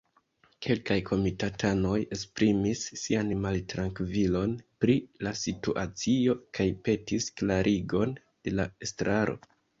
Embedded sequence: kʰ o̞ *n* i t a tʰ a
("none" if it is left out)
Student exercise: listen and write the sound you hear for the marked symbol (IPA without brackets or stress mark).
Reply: m